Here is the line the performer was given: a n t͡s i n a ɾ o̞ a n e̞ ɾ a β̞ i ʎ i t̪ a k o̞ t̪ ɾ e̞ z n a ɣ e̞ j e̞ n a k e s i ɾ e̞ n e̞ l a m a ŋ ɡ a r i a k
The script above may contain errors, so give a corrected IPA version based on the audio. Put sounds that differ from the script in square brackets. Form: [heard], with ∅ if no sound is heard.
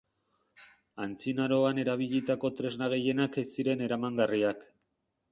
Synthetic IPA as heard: a n t͡s i n a ɾ o̞ a n e̞ ɾ a β̞ i ʎ i t̪ a k o̞ t̪ ɾ e̞ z n a ɣ e̞ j e̞ n a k e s i ɾ e̞ n e̞ [ɾ] a m a ŋ ɡ a r i a k